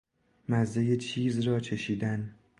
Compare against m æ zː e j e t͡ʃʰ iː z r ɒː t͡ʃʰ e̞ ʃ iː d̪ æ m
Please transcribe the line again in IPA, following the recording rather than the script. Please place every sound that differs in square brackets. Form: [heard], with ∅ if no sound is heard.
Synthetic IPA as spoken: m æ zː e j e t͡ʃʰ iː z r ɒː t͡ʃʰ e̞ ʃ iː d̪ æ [n]